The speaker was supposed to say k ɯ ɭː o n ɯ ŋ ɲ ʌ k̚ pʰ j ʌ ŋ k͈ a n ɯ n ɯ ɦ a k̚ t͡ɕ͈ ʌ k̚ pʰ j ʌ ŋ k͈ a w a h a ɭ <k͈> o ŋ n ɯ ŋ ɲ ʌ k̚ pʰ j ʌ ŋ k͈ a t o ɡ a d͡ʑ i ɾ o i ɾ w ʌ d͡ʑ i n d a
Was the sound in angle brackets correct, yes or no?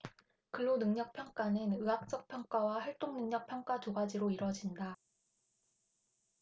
no